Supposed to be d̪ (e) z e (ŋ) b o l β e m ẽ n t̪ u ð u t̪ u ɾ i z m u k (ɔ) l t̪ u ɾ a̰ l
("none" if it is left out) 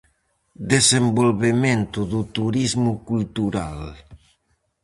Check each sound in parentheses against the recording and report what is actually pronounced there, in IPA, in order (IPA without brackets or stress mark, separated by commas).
e, m, u